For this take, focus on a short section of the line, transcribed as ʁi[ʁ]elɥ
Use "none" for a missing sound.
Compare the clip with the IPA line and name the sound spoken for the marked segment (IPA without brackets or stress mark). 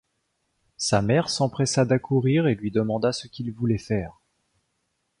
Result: ʁ